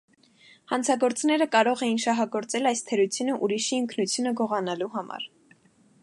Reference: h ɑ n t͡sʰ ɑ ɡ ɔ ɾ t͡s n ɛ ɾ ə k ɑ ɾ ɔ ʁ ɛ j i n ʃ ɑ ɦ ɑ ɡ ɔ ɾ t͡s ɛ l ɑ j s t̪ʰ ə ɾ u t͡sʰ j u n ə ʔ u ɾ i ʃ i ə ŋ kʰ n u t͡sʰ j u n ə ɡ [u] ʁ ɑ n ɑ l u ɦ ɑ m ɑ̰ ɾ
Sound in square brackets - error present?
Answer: yes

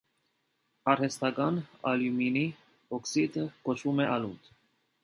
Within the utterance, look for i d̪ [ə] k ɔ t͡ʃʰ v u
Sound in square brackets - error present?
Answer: no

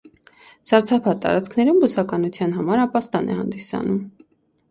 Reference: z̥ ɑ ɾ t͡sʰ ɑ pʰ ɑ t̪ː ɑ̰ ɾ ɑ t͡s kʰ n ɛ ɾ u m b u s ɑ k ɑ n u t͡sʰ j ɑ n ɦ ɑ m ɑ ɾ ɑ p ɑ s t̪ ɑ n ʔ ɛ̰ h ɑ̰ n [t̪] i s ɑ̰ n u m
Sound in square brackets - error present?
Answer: yes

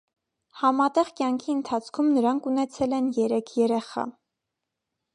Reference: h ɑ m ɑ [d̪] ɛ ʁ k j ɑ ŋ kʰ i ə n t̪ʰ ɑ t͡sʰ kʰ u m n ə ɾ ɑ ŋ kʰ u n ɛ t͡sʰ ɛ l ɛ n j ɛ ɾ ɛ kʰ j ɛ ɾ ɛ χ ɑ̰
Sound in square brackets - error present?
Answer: yes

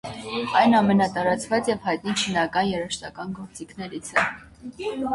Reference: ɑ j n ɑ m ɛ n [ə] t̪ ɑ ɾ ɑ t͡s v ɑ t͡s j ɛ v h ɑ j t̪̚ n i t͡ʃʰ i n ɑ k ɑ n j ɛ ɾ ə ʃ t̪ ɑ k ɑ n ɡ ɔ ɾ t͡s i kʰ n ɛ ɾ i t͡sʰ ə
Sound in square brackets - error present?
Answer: yes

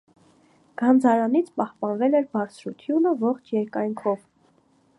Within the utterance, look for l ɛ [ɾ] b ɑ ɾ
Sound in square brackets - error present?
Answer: no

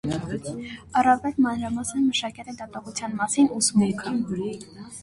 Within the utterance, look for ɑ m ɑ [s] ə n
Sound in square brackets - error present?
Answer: no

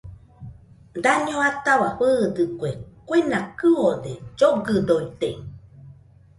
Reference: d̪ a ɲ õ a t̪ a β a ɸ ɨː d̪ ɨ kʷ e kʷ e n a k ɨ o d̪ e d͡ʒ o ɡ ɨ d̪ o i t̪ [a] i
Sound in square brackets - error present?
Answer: yes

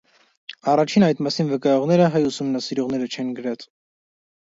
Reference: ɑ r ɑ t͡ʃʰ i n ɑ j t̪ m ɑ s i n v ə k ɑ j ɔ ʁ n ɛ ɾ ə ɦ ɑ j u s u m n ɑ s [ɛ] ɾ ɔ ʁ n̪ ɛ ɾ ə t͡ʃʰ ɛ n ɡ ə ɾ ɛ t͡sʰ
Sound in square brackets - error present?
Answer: yes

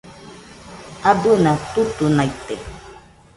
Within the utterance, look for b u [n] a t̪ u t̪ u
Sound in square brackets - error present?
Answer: no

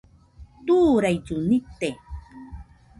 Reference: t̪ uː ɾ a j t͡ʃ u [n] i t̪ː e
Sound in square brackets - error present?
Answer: no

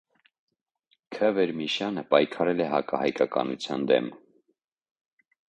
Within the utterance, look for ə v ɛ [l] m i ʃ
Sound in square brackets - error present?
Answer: yes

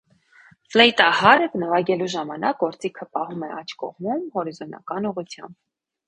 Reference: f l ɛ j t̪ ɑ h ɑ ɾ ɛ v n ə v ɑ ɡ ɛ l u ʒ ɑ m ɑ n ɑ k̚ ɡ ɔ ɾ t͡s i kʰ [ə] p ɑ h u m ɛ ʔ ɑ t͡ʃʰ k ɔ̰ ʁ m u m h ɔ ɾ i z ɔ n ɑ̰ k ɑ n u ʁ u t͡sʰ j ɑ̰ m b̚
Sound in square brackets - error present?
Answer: no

